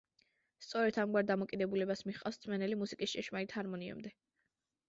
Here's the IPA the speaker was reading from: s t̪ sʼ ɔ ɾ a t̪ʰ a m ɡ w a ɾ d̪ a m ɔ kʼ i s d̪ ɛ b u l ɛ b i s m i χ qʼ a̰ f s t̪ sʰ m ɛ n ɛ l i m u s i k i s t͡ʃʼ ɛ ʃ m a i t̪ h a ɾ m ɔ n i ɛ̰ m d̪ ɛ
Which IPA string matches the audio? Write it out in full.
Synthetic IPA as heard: s t̪ sʼ ɔ ɾ ɛ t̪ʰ a m ɡ w a ɾ d̪ a m ɔ kʼ i d̪ ɛ b u l ɛ b a s m i χ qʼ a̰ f s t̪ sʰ m ɛ n ɛ l i m u s i kʼ i s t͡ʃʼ ɛ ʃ m a i t̪ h a ɾ m ɔ n i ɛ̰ m d̪ ɛ